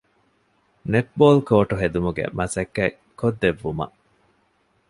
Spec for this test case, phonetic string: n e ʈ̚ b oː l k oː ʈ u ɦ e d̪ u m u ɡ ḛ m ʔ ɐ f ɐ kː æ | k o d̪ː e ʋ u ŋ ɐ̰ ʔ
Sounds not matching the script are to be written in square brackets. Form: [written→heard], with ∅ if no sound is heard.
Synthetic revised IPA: n e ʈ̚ b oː l k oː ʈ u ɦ e d̪ u m u ɡ ḛ m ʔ ɐ [f→s] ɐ kː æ | k o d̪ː e [ʋ→ʋː] u [ŋ→m] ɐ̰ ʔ